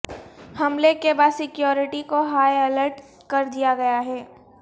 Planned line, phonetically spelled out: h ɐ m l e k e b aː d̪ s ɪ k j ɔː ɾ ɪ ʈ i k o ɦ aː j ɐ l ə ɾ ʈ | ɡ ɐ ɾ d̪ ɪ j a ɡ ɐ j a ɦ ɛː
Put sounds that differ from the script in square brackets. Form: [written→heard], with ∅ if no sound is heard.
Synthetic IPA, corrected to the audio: h ɐ m l e k e b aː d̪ s ɪ k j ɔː ɾ ɪ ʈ i k o ɦ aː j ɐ l ə ɾ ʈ | [ɡ→k] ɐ ɾ d̪ [ɪ→i] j a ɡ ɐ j a ɦ ɛː